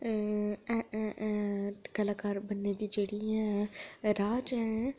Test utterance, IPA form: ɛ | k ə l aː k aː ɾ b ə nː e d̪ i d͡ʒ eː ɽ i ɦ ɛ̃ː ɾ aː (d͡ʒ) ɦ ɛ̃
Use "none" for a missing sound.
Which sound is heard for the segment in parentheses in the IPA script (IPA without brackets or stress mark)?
d͡ʒ